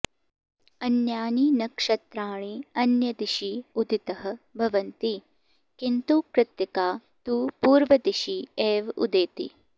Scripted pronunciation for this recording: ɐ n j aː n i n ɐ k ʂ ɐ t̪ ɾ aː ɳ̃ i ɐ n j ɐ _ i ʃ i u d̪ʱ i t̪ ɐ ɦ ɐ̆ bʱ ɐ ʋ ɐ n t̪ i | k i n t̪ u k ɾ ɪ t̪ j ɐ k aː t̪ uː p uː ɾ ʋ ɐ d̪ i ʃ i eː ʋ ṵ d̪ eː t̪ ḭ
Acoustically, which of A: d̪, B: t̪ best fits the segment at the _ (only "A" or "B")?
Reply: A